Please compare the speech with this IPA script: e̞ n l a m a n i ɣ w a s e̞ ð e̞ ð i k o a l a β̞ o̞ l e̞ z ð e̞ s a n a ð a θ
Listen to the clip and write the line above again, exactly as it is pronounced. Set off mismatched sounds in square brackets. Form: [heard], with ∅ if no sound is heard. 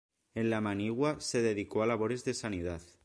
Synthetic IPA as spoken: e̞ n l a m a n i ɣ w a s e̞ ð e̞ ð i k o a l a β̞ o̞ [ɾ] e̞ z ð e̞ s a n [i] ð a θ